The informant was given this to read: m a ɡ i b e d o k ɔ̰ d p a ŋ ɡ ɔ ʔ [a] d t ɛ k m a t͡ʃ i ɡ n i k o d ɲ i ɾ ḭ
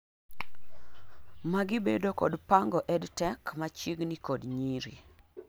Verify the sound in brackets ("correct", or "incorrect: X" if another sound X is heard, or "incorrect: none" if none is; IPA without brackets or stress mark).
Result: incorrect: ɛ